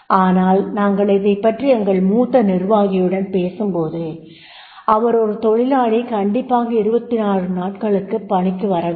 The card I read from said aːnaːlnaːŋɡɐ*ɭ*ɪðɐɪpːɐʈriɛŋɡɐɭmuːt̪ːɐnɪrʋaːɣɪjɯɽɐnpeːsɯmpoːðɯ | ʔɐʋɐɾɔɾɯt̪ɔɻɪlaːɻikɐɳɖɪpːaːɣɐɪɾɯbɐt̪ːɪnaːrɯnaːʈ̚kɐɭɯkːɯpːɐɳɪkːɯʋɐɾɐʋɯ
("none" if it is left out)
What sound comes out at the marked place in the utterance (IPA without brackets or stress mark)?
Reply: ɭ